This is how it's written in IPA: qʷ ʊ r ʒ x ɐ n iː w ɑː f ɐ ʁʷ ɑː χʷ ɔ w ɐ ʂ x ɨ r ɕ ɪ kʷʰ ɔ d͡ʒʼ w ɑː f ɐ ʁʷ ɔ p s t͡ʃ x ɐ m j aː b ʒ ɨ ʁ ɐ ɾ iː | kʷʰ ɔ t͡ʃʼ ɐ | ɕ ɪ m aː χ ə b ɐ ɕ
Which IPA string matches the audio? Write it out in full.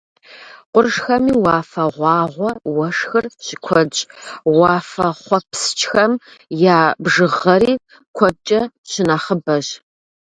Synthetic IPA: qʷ ʊ r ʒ x ɐ m iː w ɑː f ɐ ʁʷ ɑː ʁʷ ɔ w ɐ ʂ x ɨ r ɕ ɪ kʷʰ ɔ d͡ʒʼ w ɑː f ɐ χʷ ɔ p s t͡ʃ x ɐ m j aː b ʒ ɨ ʁ ɐ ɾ iː | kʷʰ ɔ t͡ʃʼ ɐ | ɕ ɪ n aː χ ə b ɐ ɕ